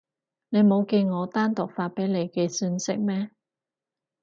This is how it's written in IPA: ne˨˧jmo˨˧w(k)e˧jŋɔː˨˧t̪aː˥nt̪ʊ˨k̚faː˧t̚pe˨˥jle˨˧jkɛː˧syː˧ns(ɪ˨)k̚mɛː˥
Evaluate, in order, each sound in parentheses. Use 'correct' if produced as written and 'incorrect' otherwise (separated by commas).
correct, incorrect